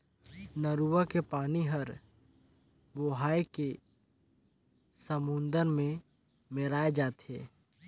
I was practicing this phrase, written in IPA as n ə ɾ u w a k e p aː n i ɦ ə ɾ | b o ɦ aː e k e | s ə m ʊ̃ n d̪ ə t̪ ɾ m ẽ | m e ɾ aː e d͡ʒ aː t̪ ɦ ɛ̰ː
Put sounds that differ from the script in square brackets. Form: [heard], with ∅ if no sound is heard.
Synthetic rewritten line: n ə ɾ u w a k e p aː n i ɦ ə ɾ | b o ɦ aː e k e | s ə m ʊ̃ n d̪ ə [∅] ɾ m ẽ | m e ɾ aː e d͡ʒ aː t̪ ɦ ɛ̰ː